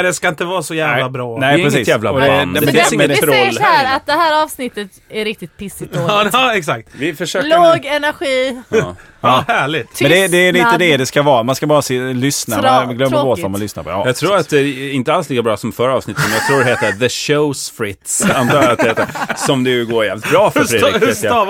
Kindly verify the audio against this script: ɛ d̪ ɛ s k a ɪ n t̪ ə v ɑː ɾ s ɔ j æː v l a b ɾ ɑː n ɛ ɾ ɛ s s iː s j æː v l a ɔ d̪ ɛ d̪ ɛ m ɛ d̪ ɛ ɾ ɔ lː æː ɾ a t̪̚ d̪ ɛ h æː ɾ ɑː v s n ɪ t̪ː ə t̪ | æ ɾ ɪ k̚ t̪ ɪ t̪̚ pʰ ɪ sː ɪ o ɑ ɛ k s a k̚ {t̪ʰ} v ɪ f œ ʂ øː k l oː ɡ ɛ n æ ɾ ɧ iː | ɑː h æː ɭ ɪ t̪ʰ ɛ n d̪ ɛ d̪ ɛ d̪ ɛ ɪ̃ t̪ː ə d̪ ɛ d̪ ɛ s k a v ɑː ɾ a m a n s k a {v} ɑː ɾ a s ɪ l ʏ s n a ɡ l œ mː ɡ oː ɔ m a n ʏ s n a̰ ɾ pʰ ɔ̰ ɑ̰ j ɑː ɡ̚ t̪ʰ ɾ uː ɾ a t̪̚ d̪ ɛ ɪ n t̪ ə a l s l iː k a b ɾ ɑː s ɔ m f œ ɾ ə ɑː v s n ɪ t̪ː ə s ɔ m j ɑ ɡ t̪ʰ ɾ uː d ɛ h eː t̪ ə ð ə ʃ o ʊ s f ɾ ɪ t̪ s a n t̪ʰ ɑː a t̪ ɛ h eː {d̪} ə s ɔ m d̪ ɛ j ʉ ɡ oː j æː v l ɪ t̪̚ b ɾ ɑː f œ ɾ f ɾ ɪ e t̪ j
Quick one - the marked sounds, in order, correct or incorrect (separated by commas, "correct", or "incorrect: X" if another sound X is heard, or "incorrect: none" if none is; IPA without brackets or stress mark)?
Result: incorrect: t̪, incorrect: b, incorrect: t̪